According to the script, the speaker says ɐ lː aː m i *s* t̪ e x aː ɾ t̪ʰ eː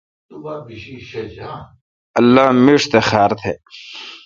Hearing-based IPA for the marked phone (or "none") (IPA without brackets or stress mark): ʂ